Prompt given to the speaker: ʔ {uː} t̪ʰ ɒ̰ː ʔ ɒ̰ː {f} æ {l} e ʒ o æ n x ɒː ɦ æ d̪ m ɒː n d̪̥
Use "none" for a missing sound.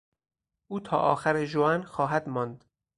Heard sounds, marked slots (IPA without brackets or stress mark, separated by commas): uː, x, ɾ